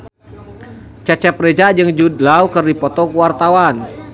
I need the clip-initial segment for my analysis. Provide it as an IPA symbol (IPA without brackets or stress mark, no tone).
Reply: t͡ʃ